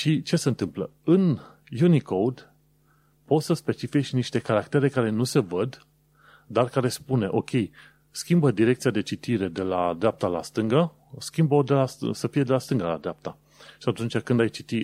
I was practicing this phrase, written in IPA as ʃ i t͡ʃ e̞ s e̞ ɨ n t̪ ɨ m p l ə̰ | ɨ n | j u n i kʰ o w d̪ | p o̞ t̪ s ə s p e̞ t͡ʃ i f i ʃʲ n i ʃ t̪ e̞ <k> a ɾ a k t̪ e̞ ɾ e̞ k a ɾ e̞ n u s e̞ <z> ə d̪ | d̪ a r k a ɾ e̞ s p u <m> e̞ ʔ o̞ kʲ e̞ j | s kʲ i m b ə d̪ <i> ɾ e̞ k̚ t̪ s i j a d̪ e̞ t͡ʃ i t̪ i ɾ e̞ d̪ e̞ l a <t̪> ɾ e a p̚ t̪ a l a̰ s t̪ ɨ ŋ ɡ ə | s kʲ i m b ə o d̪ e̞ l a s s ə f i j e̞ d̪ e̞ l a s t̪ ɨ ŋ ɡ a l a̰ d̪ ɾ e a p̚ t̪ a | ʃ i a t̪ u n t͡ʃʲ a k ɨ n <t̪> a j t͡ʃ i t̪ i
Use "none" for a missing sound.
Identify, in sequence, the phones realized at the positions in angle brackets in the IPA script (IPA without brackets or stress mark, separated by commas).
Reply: k, v, n, i, d̪, d̪